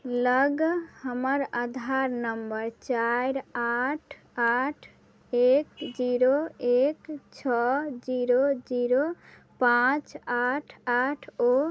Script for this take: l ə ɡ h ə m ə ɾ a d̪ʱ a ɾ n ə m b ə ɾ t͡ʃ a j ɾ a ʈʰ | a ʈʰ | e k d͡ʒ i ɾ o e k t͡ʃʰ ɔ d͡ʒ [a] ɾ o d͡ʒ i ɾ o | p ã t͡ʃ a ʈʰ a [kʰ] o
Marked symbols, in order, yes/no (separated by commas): no, no